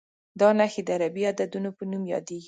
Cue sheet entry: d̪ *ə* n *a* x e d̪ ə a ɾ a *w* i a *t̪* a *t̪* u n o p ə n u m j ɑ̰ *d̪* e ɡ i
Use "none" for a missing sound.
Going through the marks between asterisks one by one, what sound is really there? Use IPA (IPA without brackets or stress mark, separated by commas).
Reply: ɑ, a, b, d̪, d̪, d̪